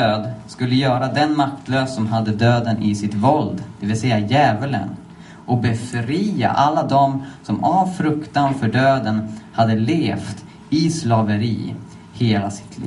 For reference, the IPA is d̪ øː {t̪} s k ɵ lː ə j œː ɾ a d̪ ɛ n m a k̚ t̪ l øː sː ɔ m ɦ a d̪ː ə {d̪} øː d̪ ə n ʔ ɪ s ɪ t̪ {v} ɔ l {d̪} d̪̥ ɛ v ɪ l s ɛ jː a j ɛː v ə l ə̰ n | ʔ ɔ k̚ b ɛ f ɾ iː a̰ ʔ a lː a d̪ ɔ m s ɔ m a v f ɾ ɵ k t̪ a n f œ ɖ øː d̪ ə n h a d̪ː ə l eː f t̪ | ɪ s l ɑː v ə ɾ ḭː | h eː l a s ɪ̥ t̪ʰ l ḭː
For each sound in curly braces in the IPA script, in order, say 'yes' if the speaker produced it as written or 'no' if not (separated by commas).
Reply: no, yes, yes, yes